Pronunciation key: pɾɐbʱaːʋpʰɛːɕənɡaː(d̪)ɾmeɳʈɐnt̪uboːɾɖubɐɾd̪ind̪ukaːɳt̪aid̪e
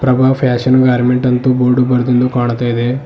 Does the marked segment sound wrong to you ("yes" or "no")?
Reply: yes